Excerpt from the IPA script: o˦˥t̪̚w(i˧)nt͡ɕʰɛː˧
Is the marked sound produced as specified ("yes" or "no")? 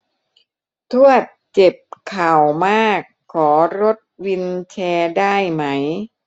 yes